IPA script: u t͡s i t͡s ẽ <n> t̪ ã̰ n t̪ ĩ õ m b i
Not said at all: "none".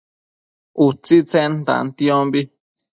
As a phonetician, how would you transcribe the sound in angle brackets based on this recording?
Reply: n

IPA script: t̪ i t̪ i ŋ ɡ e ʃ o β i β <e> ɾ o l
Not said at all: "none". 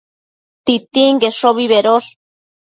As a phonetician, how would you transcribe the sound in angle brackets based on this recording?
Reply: e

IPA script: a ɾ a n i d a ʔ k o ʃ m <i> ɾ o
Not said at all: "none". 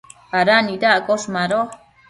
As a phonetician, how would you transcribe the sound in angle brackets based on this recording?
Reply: a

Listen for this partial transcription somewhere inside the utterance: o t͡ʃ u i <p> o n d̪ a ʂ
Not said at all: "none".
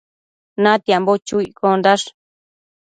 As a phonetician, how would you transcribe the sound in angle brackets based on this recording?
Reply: k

